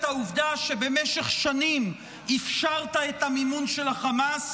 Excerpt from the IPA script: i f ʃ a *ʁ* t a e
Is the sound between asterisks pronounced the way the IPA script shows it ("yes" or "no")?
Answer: yes